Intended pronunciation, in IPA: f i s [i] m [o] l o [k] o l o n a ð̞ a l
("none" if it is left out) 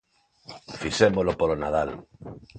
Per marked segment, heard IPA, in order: e, o, p

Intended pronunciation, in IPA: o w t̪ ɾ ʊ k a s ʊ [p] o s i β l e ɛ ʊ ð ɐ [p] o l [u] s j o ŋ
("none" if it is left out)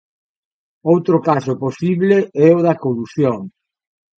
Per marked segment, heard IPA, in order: p, k, u

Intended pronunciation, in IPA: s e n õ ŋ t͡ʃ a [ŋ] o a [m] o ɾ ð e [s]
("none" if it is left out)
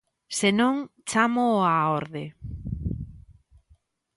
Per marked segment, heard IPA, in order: m, none, none

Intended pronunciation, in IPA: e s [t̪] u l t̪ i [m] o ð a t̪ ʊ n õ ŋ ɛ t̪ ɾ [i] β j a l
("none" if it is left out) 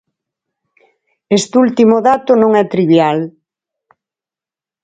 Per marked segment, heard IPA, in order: t̪, m, i

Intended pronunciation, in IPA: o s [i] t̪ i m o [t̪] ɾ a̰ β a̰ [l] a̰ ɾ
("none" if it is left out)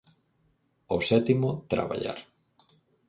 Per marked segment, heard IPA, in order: ɛ, t̪, ʎ

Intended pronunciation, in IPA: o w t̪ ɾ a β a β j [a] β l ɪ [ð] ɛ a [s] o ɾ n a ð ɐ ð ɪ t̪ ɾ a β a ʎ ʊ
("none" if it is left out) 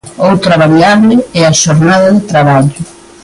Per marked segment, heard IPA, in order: a, none, ʃ

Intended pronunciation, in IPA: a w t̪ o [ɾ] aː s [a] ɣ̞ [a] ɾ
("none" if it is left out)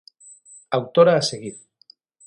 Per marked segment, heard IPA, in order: ɾ, e, i

